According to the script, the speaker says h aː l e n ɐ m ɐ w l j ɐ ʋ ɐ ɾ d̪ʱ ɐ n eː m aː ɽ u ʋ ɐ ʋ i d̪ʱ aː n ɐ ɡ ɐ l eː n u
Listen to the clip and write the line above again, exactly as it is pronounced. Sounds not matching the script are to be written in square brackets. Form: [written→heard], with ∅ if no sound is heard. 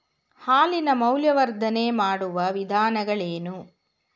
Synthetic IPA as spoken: h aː l [e→i] n ɐ m ɐ w l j ɐ ʋ ɐ ɾ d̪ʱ ɐ n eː m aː ɽ u ʋ ɐ ʋ i d̪ʱ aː n ɐ ɡ ɐ [l→ɭ] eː n u

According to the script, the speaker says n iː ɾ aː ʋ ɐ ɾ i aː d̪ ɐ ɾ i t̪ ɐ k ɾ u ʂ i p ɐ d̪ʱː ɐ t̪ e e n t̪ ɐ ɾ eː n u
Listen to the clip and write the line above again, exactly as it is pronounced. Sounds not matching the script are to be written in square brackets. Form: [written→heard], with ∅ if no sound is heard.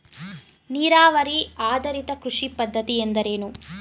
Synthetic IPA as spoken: n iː ɾ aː ʋ ɐ ɾ i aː d̪ ɐ ɾ i t̪ ɐ k ɾ u ʂ i p ɐ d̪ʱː ɐ t̪ [e→i] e n [t̪→d̪] ɐ ɾ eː n u

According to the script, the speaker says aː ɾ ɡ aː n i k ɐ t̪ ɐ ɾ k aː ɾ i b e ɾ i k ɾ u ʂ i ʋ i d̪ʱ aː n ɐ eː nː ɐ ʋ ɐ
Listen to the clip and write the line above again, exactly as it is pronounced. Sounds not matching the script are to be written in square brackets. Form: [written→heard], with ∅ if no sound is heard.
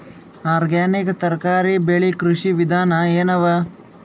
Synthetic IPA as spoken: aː ɾ ɡ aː n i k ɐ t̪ ɐ ɾ k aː ɾ i b e [ɾ→ɭ] i k ɾ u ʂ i ʋ i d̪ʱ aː n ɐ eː [nː→n] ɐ ʋ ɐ

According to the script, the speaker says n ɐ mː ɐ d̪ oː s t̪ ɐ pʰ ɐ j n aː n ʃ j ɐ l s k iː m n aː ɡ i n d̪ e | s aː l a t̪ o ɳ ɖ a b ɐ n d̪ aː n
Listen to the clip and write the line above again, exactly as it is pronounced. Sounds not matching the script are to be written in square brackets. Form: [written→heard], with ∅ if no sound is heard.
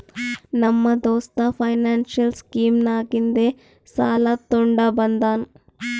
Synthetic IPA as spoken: n ɐ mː ɐ d̪ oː s t̪ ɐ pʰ ɐ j n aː n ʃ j ɐ l s k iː m n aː ɡ i n d̪ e | s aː l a t̪ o ɳ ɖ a b ɐ n d̪ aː n

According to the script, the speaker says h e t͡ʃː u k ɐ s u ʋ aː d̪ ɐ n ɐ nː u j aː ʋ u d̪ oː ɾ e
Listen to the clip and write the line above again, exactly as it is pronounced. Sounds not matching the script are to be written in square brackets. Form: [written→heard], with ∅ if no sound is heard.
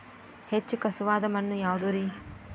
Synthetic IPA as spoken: h e t͡ʃː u k ɐ s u ʋ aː d̪ ɐ [n→m] ɐ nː u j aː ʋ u d̪ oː ɾ [e→i]

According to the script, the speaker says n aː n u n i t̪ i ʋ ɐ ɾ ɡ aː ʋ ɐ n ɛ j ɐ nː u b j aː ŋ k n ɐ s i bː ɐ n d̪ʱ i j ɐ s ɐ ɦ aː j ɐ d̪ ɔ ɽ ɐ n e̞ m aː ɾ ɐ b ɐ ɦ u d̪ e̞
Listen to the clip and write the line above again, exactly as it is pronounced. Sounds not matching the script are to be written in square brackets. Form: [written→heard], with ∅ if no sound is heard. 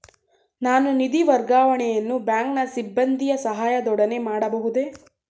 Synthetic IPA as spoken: n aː n u n i [t̪→d̪] i ʋ ɐ ɾ ɡ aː ʋ ɐ [n→ɳ] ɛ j ɐ nː u b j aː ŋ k n ɐ s i bː ɐ n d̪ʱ i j ɐ s ɐ ɦ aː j ɐ d̪ ɔ ɽ ɐ n e̞ m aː [ɾ→ɽ] ɐ b ɐ ɦ u d̪ e̞

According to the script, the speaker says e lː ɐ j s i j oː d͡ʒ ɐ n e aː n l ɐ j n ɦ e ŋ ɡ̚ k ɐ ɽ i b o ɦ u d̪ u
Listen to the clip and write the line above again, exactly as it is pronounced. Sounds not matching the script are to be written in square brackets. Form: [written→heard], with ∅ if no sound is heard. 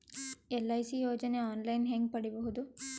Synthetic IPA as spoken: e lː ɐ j s i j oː d͡ʒ ɐ n e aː n l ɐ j n ɦ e ŋ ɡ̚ [k→p] ɐ ɽ i b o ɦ u d̪ u

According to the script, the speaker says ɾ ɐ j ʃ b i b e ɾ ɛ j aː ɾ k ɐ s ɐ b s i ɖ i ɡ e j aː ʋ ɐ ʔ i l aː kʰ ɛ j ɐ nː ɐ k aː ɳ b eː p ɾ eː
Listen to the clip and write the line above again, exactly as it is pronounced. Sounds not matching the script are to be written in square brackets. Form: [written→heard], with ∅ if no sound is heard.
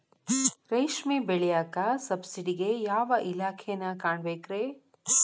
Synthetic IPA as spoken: ɾ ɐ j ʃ [b→m] i b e [ɾ→ɭ] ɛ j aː [ɾ→∅] k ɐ s ɐ b s i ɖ i ɡ e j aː ʋ ɐ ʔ i l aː kʰ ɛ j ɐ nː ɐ k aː ɳ b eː [p→k] ɾ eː

